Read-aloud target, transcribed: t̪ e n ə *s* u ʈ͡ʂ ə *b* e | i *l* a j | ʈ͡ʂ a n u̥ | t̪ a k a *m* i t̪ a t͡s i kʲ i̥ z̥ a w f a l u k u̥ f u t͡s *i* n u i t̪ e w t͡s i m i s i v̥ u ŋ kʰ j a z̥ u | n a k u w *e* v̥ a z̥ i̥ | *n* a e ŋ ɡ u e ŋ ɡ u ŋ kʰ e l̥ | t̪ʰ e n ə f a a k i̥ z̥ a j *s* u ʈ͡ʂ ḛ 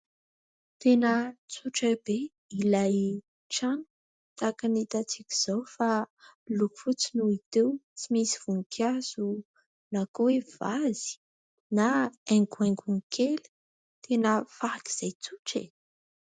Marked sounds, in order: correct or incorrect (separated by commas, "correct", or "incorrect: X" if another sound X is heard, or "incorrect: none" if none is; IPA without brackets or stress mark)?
incorrect: t͡s, correct, correct, incorrect: n, correct, correct, correct, incorrect: t͡s